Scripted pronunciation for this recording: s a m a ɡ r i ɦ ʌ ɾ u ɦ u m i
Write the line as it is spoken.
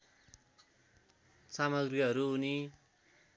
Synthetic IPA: s a m ʌ ɡ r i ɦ ʌ ɾ u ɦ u n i